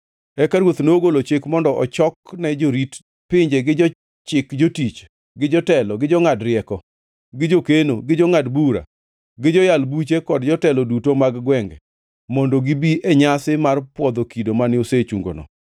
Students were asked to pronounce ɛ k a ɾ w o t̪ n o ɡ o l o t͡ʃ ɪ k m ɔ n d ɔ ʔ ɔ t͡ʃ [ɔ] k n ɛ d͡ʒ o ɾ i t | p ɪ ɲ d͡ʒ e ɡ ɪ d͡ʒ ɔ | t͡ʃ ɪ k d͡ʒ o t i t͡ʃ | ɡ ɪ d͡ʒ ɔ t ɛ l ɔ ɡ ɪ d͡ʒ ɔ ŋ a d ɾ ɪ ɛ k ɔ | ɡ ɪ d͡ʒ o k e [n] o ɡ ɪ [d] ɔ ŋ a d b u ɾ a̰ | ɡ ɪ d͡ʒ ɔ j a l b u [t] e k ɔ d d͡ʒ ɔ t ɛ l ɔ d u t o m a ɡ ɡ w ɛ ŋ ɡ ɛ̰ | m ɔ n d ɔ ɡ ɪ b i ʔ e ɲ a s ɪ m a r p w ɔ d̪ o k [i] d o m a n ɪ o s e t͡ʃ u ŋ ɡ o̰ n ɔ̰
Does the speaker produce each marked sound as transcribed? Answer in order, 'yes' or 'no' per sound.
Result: yes, yes, no, no, yes

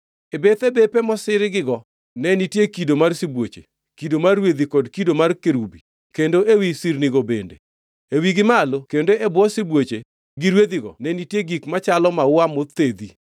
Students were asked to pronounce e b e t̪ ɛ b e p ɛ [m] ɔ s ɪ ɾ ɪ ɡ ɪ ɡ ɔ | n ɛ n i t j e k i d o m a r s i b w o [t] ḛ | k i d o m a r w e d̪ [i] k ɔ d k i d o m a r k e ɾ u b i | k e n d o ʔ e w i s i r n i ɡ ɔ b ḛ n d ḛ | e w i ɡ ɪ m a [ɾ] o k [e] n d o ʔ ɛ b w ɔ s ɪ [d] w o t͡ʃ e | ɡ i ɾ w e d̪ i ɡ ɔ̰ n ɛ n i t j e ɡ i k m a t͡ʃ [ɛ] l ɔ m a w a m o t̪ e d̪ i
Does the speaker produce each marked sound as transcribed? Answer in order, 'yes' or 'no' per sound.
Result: yes, no, yes, no, yes, no, no

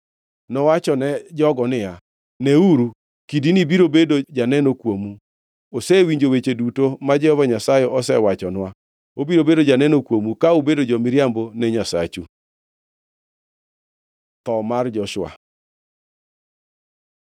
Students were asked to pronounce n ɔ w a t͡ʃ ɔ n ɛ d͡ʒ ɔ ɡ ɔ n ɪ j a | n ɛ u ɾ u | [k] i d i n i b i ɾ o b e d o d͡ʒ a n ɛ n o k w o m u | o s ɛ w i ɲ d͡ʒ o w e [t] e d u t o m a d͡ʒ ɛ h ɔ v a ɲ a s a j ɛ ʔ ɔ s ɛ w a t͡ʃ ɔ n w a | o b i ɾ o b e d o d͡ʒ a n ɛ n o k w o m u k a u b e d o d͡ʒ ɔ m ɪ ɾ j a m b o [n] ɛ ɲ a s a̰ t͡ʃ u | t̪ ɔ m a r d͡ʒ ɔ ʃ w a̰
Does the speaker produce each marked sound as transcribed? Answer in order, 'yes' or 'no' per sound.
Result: yes, no, yes

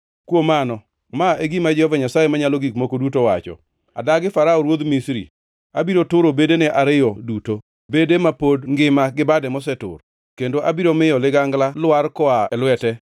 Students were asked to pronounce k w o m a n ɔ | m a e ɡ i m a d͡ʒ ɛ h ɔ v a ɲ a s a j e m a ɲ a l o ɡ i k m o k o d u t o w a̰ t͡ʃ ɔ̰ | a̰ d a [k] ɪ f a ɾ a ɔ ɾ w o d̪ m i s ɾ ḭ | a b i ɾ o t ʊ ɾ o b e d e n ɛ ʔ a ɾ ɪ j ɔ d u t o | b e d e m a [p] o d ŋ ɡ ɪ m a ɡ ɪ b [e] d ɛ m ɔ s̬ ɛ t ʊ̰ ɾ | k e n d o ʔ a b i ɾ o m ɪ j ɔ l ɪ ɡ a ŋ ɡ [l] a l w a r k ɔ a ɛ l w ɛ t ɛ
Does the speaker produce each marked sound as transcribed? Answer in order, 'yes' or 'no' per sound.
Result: no, yes, no, yes

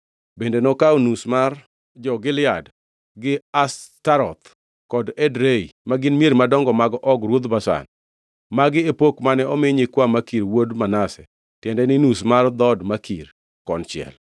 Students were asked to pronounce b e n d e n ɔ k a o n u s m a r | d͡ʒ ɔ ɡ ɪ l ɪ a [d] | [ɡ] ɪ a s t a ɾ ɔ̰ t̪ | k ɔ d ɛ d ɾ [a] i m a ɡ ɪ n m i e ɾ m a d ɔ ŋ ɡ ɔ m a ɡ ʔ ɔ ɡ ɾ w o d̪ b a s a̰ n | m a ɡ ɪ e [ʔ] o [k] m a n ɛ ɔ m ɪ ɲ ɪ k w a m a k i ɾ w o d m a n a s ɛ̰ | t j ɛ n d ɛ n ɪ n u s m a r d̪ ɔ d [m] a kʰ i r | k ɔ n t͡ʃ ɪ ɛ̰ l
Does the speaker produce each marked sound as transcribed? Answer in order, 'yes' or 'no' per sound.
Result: yes, yes, no, no, yes, yes

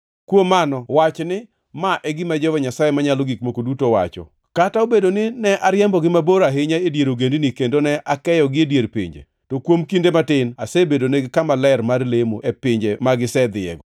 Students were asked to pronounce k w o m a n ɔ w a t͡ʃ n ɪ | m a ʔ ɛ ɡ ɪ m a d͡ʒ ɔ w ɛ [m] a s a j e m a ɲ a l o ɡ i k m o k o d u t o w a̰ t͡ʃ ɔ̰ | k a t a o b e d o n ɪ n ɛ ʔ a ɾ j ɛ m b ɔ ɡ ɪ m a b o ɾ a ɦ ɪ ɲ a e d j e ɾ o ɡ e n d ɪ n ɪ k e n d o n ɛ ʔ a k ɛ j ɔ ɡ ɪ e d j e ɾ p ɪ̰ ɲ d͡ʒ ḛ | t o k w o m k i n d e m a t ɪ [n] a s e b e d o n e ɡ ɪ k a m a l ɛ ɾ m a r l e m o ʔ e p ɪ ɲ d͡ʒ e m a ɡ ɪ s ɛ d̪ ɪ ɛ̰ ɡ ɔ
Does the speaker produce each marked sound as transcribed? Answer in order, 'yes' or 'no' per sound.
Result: no, yes

